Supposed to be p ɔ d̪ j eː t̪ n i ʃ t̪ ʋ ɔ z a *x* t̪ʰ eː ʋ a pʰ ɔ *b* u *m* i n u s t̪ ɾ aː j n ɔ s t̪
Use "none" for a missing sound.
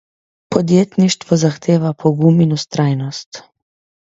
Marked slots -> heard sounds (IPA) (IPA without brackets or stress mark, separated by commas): x, ɡ, m